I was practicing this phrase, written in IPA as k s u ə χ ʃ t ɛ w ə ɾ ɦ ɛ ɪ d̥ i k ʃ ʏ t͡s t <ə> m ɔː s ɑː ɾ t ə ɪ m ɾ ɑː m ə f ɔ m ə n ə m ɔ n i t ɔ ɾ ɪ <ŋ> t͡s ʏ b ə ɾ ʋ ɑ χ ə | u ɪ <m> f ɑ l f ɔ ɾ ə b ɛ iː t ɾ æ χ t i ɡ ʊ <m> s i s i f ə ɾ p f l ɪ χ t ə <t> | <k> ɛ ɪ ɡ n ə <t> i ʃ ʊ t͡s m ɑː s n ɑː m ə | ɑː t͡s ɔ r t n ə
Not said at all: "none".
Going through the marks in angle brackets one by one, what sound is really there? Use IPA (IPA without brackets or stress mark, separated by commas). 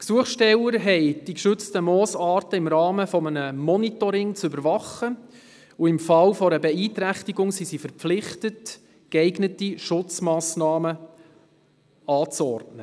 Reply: ə, ŋ, m, ŋ, t, k, t